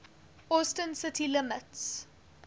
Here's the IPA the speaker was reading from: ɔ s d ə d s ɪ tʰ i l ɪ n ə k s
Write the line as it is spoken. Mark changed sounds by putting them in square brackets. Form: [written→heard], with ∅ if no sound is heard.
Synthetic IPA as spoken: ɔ s [d→t] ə [d→n] s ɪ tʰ i l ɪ [n→m] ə [k→t] s

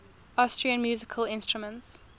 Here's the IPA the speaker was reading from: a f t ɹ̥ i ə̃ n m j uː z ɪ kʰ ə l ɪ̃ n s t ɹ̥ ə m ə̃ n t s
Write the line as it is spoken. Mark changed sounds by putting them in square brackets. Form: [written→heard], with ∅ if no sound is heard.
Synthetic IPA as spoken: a [f→s] t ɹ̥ i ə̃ n m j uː z ɪ kʰ ə l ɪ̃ n s t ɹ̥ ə m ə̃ n t s

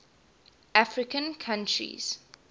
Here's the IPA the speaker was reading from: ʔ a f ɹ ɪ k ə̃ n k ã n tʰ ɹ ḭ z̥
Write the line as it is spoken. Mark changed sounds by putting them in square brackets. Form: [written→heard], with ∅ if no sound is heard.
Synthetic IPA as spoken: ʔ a f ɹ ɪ k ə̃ n [k→kʰ] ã n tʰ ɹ ḭ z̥

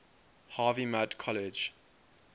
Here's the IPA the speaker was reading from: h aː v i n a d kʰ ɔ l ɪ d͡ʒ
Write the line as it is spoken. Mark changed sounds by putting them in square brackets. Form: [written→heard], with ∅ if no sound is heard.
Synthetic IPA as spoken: h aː v i [n→m] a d kʰ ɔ l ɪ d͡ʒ

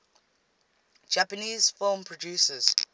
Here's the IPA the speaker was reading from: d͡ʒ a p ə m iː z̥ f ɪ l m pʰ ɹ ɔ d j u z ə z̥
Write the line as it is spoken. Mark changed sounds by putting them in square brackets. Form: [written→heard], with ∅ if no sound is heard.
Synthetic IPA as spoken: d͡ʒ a p ə [m→n] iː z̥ f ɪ l m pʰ ɹ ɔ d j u [z→s] ə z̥

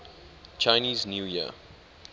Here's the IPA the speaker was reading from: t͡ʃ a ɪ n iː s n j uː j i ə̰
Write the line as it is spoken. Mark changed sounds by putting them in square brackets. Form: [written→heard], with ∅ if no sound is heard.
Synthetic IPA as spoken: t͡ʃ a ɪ n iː [s→z] n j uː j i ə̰

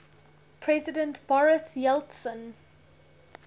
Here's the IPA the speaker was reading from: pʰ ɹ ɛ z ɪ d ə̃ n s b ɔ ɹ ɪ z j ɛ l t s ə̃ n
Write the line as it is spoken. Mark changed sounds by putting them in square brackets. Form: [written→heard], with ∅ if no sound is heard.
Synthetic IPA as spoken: pʰ ɹ ɛ z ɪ d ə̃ n [s→t] b ɔ ɹ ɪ [z→s] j ɛ l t s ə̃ n

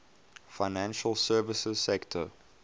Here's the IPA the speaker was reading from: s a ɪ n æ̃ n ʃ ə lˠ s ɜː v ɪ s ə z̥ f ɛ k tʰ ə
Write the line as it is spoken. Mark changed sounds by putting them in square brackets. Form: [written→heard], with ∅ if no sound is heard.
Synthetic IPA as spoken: [s→f] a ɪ n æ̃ n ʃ ə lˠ s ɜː v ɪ s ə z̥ [f→s] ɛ k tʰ ə

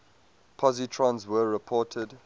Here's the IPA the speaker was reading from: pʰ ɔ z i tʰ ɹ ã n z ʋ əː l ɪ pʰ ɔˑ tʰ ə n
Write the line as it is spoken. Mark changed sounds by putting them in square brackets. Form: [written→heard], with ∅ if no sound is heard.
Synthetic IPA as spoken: pʰ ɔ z i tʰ ɹ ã n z [ʋ→w] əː [l→ɹ] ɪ pʰ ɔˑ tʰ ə [n→d]

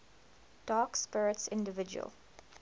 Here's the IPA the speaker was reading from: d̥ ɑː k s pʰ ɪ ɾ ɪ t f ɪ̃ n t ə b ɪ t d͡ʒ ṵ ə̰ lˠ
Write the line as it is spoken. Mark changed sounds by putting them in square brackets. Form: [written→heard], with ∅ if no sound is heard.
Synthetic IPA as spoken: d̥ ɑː k s [pʰ→p] ɪ [ɾ→ɹ] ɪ t [f→s] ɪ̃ n [t→d] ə [b→v] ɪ [t→∅] d͡ʒ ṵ ə̰ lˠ

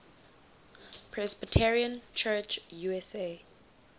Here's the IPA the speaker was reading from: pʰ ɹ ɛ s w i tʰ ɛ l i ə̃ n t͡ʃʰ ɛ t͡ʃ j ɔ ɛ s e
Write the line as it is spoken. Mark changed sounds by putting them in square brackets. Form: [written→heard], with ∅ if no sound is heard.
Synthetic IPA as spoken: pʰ ɹ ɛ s [w→b] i tʰ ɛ [l→ɹ] i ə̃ n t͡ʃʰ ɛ t͡ʃ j [ɔ→u] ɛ s e

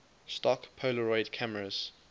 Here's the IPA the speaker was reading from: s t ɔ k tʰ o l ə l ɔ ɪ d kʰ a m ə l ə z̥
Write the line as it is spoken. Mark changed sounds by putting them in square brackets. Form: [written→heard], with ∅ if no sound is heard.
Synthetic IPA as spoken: s t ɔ k [tʰ→pʰ] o l ə [l→ɹ] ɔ ɪ d kʰ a m ə [l→ɹ] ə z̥

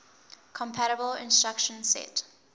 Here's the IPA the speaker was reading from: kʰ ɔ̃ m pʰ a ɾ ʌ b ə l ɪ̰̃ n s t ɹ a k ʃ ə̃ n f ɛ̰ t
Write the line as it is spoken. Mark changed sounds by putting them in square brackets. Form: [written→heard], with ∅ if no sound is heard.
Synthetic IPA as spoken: kʰ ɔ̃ m pʰ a ɾ [ʌ→ə] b ə l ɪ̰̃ n s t ɹ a k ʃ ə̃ n [f→s] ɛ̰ t

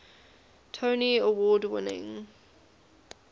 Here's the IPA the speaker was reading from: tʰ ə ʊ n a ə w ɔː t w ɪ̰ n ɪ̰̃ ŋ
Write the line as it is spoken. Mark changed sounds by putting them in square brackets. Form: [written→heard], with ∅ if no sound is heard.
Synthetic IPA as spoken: tʰ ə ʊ n [a→i] ə w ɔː [t→d] w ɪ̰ n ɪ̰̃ ŋ

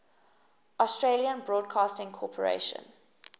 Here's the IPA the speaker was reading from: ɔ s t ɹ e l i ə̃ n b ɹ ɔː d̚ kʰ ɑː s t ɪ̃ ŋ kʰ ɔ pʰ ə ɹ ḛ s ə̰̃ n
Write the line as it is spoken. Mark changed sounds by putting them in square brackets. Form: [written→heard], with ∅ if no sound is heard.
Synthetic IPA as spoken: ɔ s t ɹ e l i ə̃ n b ɹ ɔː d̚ kʰ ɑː s t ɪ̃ ŋ kʰ ɔ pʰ ə ɹ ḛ [s→ʃ] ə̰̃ n

